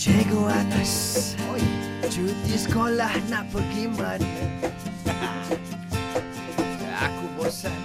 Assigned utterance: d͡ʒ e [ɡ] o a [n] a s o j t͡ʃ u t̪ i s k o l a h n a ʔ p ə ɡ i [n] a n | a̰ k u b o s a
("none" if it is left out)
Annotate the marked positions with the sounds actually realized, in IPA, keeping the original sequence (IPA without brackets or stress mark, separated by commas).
ɡ, n, m